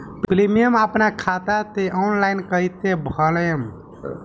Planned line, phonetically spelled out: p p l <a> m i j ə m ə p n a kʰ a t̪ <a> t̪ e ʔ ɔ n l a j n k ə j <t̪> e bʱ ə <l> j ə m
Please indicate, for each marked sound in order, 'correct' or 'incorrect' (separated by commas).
incorrect, correct, correct, correct